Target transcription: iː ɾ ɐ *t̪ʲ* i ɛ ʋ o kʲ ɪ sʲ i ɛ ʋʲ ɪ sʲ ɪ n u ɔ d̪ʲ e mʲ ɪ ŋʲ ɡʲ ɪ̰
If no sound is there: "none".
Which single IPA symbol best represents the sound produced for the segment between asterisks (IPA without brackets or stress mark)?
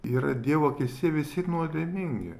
d̪ʲ